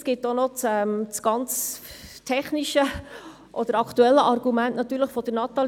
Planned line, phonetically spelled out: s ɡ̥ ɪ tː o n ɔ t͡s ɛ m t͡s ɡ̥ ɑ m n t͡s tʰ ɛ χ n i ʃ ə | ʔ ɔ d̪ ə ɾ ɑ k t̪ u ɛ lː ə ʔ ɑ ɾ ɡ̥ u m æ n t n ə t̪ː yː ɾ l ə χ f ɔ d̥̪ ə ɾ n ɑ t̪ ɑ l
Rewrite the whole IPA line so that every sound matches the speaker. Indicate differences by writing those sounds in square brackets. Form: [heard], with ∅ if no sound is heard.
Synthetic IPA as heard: s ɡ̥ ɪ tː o n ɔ t͡s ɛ m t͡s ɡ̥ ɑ [∅] n t͡s tʰ ɛ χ n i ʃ ə | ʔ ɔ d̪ ə ɾ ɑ k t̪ u ɛ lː ə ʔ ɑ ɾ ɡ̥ u m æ n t n [ɑ] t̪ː yː ɾ l ə χ f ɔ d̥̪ ə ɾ n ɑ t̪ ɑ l